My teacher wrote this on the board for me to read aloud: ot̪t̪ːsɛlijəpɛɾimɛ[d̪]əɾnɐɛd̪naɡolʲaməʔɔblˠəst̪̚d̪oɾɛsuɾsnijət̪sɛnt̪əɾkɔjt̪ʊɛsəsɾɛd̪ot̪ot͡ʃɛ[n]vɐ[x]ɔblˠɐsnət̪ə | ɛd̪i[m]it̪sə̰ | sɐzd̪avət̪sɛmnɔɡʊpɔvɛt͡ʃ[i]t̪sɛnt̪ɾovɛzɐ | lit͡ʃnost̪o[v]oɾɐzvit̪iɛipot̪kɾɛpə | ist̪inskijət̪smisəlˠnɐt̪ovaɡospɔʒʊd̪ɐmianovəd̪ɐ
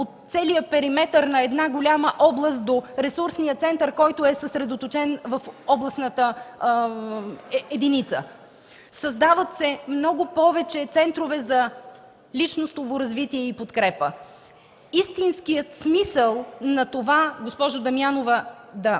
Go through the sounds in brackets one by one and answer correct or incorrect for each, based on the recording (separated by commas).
incorrect, correct, incorrect, incorrect, incorrect, correct